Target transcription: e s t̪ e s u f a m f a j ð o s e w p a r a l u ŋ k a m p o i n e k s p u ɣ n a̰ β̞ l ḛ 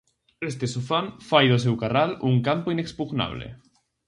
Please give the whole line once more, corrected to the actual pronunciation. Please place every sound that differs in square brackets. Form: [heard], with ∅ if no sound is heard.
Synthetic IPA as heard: e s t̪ e s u f a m f a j ð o s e w [k] a r a l u ŋ k a m p o i n e k s p u ɣ n a̰ β̞ l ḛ